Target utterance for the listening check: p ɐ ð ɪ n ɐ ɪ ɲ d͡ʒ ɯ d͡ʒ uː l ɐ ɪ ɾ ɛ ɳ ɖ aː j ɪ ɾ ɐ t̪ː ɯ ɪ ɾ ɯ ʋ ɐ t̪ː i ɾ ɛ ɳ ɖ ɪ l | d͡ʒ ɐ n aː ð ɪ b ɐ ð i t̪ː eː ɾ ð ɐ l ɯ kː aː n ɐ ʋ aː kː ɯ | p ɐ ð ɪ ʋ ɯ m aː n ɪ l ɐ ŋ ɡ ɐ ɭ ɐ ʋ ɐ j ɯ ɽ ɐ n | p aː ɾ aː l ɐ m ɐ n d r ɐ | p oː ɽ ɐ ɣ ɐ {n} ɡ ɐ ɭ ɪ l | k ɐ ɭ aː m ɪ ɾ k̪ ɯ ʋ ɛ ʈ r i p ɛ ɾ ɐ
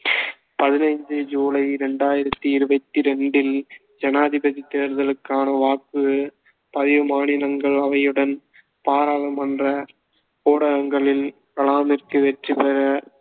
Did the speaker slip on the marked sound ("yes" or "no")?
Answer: yes